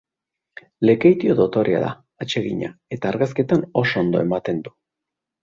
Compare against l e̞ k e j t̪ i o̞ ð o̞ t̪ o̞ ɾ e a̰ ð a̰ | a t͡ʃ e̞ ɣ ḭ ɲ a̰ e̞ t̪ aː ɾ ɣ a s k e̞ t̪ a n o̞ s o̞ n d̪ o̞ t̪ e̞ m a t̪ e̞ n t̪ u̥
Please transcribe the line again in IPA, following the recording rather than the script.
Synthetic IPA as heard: l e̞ k e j t̪ i o̞ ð o̞ t̪ o̞ ɾ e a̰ ð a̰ | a t͡ʃ e̞ ɣ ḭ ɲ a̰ e̞ t̪ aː ɾ ɣ a s k e̞ t̪ a n o̞ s o̞ n d̪ o̞ e̞ m a t̪ e̞ n d̪ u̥